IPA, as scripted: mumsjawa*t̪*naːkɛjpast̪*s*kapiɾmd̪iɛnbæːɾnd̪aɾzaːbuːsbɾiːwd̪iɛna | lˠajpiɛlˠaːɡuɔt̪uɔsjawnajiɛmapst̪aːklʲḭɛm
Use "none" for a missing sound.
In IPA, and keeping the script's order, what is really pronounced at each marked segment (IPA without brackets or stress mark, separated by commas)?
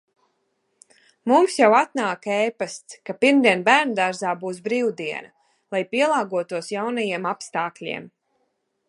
t̪, s